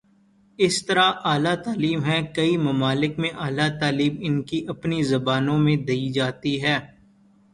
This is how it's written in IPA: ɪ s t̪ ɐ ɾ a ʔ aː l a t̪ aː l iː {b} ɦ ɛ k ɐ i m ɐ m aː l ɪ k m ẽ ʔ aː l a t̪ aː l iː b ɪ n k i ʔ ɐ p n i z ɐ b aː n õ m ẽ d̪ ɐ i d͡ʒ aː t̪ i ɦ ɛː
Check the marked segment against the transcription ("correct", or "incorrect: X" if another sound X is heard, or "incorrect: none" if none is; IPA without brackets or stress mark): incorrect: m